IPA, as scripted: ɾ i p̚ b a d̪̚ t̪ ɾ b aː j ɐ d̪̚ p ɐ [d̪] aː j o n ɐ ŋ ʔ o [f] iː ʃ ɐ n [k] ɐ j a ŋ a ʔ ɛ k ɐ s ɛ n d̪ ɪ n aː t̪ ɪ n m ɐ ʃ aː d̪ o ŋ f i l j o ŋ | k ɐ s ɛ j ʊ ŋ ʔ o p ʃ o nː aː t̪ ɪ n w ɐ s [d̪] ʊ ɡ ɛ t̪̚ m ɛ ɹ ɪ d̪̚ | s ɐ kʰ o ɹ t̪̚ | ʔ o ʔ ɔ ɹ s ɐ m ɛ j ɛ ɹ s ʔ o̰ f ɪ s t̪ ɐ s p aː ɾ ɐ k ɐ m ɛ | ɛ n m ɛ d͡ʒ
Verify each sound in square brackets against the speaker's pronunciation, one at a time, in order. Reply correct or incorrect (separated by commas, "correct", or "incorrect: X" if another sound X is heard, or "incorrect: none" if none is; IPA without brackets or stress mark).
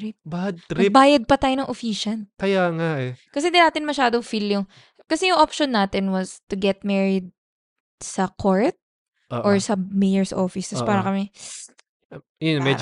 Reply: incorrect: t̪, correct, correct, incorrect: t̪